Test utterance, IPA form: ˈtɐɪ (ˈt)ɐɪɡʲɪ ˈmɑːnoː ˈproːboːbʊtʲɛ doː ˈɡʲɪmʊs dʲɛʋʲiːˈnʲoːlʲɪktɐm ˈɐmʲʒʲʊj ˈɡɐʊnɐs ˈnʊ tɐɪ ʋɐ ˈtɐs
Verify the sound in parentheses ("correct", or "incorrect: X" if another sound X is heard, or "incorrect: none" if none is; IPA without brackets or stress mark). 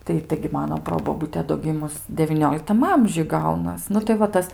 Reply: correct